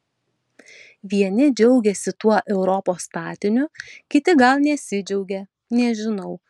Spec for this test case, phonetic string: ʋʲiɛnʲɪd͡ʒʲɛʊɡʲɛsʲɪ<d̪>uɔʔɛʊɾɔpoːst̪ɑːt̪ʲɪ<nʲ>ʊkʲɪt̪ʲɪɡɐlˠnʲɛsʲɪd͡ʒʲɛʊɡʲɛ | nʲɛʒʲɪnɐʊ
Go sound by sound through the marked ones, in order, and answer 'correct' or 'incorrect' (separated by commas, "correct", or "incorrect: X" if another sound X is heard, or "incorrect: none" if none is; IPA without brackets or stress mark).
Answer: incorrect: t̪, correct